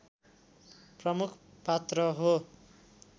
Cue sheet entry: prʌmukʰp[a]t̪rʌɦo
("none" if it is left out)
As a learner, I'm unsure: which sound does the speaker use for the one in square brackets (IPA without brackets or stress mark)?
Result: a